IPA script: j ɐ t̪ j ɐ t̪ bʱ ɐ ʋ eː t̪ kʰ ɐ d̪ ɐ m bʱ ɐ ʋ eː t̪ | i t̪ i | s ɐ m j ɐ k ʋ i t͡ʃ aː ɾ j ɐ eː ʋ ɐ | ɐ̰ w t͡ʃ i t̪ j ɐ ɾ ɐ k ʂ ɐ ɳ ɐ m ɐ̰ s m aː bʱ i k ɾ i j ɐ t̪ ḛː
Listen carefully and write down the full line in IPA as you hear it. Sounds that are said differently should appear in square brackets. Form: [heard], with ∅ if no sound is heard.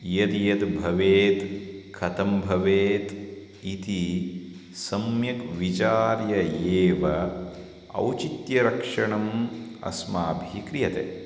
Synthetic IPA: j ɐ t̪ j ɐ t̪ bʱ ɐ ʋ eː t̪ kʰ ɐ [t̪] ɐ m bʱ ɐ ʋ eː t̪ | i t̪ i | s ɐ m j ɐ k ʋ i t͡ʃ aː ɾ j ɐ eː ʋ ɐ | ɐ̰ w t͡ʃ i t̪ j ɐ ɾ ɐ k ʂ ɐ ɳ ɐ m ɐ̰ s m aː bʱ i k ɾ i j ɐ t̪ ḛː